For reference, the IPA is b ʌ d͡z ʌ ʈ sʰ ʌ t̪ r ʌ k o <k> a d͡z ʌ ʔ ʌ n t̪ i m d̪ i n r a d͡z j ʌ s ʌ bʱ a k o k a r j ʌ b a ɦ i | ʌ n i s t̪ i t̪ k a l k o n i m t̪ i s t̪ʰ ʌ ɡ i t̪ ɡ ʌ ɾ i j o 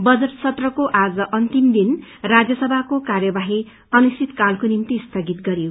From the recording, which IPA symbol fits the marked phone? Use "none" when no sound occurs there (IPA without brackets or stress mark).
ʔ